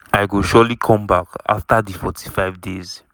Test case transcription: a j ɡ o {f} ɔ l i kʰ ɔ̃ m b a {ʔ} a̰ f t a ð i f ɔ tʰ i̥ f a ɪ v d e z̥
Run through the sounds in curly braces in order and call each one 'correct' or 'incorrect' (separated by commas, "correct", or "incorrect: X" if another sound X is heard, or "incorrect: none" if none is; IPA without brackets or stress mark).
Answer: incorrect: ʃ, incorrect: k